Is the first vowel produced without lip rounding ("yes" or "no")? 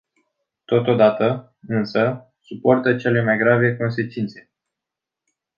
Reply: no